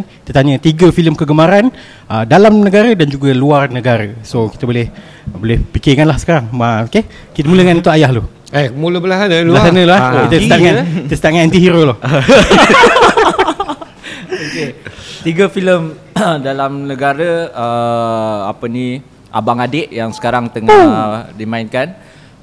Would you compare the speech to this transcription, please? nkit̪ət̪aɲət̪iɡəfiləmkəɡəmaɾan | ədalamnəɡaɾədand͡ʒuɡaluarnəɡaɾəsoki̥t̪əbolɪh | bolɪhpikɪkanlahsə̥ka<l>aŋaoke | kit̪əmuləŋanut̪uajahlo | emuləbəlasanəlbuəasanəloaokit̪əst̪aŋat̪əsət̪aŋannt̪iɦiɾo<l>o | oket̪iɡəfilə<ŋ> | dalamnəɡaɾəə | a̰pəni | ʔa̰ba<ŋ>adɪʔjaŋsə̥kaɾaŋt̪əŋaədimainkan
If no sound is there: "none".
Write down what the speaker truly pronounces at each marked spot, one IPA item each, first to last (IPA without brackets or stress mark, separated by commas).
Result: ɾ, l, m, ŋ